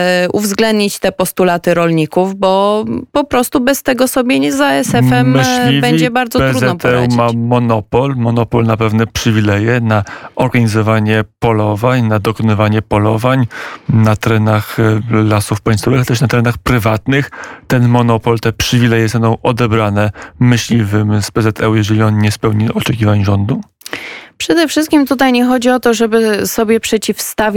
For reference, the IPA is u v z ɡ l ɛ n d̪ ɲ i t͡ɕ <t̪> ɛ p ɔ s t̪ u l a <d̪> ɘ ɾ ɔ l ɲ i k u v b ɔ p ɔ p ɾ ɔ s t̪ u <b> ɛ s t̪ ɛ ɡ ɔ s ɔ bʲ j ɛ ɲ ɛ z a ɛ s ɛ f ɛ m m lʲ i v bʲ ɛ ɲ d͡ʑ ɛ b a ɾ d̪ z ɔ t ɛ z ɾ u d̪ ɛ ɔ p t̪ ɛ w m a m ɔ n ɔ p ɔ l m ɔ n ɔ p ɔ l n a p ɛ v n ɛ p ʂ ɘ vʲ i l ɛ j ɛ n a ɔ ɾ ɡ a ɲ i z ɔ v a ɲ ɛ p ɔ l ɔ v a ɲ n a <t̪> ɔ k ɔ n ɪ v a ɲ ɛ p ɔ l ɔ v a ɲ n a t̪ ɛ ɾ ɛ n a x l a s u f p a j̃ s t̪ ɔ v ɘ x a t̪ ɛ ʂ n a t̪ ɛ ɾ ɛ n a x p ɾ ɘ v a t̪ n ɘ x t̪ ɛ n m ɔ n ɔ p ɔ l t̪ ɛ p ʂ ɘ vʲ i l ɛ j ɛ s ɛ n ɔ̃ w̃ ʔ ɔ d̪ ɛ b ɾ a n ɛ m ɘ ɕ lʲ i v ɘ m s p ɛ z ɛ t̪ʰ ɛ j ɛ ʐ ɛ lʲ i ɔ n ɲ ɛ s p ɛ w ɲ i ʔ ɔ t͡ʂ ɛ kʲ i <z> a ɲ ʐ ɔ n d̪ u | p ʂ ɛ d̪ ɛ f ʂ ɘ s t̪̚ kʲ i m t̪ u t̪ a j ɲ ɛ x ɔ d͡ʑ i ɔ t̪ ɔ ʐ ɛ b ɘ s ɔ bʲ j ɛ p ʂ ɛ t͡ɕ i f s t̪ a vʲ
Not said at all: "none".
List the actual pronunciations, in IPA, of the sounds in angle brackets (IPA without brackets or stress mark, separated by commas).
t̪, t̪, b, d̪, v